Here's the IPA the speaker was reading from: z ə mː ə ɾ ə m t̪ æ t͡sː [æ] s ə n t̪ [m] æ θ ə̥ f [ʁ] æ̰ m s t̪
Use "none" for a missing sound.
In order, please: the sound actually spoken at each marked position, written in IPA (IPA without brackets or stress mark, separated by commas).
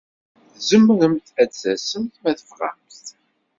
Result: æ, m, ʁ